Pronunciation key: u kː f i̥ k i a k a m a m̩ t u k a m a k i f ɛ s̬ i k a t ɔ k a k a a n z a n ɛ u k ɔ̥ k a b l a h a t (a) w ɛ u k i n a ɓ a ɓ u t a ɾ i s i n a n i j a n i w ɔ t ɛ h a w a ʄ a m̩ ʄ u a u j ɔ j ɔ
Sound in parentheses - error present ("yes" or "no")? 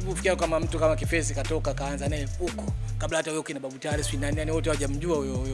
no